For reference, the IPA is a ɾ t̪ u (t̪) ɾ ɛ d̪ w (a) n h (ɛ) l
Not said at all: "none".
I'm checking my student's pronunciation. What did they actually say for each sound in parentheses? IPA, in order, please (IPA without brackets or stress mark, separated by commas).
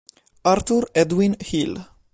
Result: none, i, i